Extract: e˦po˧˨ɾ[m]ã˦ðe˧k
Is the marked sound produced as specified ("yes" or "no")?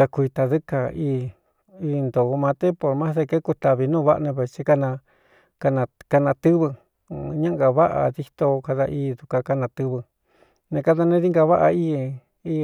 yes